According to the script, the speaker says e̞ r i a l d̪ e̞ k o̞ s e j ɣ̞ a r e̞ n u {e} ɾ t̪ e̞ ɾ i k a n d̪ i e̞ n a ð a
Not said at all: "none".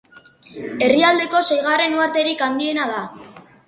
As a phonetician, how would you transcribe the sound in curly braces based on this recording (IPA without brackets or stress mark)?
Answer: a